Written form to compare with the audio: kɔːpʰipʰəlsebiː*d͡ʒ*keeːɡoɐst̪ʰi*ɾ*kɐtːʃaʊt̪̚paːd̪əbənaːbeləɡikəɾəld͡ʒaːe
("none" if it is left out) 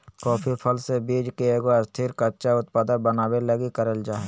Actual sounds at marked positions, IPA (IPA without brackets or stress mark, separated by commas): d͡ʒ, ɾ